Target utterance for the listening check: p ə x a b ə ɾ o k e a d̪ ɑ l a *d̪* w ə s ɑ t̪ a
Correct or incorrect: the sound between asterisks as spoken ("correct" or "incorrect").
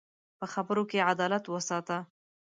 incorrect